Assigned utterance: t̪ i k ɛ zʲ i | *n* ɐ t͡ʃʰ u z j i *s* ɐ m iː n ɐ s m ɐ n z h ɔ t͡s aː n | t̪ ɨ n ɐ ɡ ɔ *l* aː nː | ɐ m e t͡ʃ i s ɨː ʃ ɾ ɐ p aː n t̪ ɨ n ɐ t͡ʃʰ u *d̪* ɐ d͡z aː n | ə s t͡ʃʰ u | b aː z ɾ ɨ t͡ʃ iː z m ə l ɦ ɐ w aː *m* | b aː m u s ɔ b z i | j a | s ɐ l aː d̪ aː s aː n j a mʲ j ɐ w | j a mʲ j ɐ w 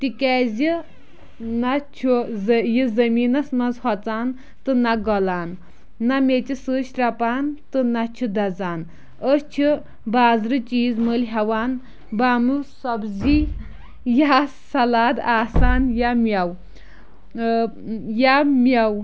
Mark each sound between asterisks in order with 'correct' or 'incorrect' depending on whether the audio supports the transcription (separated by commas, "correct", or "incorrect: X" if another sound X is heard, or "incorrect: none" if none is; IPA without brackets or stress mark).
correct, incorrect: z, correct, correct, incorrect: n